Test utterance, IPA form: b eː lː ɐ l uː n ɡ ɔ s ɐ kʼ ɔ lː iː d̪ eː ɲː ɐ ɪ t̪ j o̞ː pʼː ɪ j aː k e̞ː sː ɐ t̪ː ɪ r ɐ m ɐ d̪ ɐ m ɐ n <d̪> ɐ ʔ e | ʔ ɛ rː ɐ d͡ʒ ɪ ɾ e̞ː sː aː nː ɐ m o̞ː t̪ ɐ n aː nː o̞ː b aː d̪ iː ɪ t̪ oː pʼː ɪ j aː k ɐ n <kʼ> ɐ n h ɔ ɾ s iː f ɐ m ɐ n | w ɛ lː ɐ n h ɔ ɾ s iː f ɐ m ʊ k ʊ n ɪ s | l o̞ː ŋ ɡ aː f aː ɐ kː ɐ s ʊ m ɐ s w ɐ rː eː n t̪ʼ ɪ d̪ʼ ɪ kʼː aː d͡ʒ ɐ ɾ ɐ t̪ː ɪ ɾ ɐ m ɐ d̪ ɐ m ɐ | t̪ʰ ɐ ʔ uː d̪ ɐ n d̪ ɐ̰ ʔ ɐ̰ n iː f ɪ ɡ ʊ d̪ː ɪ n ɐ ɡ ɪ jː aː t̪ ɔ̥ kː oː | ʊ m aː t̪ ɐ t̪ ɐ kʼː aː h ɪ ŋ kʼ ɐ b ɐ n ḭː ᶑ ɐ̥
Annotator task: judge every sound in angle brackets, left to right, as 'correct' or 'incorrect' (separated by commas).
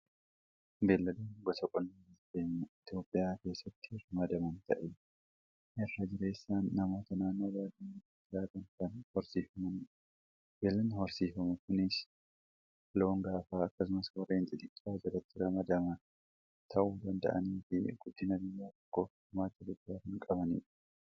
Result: incorrect, incorrect